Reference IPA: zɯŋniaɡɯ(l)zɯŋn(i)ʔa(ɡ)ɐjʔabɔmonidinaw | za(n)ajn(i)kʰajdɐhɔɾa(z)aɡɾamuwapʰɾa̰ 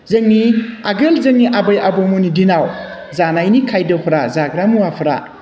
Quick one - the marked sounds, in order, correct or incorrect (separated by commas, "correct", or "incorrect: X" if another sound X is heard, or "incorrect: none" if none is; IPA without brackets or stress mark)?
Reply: correct, correct, incorrect: b, correct, correct, correct